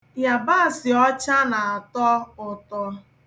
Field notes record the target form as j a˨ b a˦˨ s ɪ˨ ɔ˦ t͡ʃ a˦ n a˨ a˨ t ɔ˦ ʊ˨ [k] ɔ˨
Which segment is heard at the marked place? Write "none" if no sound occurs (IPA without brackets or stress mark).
t